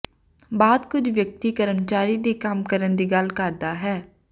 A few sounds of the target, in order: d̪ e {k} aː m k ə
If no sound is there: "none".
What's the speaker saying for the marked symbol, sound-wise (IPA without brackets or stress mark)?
k